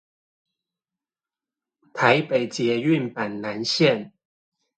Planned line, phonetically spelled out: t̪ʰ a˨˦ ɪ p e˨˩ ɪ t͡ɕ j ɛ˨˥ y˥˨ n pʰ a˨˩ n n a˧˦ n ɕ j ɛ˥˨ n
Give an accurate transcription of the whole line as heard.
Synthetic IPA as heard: t̪ʰ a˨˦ ɪ p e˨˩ ɪ t͡ɕ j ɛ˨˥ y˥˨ n p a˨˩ n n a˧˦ n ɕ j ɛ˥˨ n